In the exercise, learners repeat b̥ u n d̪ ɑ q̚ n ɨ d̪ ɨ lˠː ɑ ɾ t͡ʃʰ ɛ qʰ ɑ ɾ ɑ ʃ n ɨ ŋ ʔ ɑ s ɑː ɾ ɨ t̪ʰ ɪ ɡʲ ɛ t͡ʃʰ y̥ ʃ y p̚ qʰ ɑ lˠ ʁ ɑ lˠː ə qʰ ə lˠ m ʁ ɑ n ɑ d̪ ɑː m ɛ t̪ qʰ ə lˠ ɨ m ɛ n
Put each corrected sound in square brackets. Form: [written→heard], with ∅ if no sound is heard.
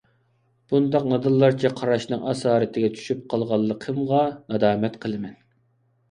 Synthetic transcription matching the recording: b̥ u n d̪ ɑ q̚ n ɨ d̪ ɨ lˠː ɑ ɾ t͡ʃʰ ɛ qʰ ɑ ɾ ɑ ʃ n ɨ ŋ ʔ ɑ s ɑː ɾ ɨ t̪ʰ ɪ ɡʲ ɛ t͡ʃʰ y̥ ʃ y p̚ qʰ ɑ lˠ ʁ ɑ lˠː ə qʰ ə [lˠ→∅] m ʁ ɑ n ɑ d̪ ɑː m ɛ t̪ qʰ ə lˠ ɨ m ɛ n

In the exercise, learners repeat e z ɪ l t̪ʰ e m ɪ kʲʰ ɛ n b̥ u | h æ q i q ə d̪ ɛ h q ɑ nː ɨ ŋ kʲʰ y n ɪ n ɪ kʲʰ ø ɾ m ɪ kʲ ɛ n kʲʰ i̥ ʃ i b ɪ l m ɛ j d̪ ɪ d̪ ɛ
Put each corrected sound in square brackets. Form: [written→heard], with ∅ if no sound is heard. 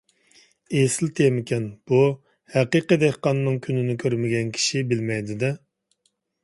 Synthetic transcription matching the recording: e [z→s] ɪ l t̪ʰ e m ɪ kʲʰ ɛ n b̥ u | h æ q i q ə d̪ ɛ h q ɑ nː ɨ ŋ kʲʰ y n ɪ n ɪ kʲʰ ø ɾ m ɪ [kʲ→ɡʲ] ɛ n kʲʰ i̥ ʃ i b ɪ l m ɛ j d̪ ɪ d̪ ɛ

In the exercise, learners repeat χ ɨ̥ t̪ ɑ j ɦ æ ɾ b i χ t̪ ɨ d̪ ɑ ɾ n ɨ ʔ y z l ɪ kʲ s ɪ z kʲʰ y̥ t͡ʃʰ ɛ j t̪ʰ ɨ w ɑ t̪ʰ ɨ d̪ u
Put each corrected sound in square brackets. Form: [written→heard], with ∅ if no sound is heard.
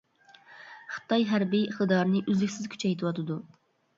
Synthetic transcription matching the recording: χ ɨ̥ t̪ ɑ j ɦ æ ɾ b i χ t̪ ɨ d̪ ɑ ɾ n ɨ ʔ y z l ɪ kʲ s ɪ z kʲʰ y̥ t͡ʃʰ ɛ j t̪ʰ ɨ w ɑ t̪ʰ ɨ d̪ u

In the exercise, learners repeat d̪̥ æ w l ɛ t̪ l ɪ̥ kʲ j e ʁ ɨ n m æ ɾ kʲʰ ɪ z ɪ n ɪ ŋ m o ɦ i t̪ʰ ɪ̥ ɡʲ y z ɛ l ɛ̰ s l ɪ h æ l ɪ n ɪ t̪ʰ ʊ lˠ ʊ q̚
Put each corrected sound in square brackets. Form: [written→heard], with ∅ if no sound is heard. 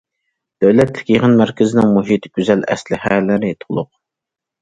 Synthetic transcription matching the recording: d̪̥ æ w l ɛ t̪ l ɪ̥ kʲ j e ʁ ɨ n m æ ɾ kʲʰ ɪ z ɪ n ɪ ŋ m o ɦ i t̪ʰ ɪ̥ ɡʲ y z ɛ l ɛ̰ s l ɪ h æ l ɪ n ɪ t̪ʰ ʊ lˠ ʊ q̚

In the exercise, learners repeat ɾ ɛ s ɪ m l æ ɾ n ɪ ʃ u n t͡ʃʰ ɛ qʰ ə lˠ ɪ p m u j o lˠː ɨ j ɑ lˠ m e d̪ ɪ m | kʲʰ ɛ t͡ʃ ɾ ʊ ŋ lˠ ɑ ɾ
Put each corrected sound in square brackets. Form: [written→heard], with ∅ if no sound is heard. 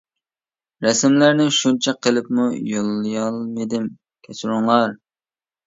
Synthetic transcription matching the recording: ɾ ɛ s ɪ m l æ ɾ n ɪ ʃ u n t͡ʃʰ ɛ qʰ ə lˠ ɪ p m u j o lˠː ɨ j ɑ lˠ m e d̪ ɪ m | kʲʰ ɛ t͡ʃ ɾ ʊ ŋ lˠ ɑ ɾ

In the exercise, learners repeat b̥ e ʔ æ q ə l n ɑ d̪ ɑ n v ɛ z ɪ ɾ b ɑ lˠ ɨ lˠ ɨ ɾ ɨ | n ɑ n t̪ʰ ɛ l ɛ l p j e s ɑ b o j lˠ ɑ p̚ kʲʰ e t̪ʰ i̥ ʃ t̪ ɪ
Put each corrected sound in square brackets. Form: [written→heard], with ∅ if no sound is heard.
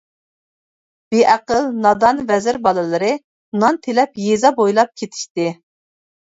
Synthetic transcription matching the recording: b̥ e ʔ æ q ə l n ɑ d̪ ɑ n v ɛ z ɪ ɾ b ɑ lˠ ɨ lˠ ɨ ɾ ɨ | n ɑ n t̪ʰ [ɛ→e] l ɛ [l→∅] p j e [s→z] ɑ b o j lˠ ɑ p̚ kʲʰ e t̪ʰ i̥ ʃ t̪ ɪ

